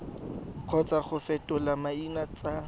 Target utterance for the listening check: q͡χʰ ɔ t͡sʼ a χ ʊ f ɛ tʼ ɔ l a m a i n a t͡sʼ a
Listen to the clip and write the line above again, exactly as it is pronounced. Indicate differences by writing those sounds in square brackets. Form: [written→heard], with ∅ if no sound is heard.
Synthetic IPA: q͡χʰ ɔ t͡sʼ a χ ʊ f ɛ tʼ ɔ l a m a i n a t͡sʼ a